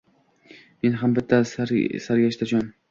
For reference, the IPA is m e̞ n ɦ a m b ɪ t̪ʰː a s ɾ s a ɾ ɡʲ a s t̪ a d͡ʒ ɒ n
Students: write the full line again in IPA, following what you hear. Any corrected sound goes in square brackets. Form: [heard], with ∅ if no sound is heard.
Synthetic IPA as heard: m e̞ n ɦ a m b ɪ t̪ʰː a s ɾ s a ɾ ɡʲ a [ʃ] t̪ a d͡ʒ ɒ n